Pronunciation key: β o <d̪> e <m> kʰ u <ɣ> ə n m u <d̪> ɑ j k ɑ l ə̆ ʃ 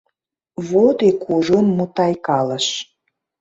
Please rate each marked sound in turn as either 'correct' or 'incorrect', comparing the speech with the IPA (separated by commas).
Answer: correct, incorrect, incorrect, incorrect